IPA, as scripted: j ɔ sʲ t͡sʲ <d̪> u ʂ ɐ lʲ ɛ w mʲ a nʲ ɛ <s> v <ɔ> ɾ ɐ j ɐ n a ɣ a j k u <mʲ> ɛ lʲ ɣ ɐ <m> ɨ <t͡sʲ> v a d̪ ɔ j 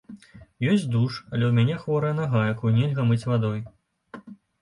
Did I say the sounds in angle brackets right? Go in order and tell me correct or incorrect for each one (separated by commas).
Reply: correct, incorrect, correct, incorrect, correct, correct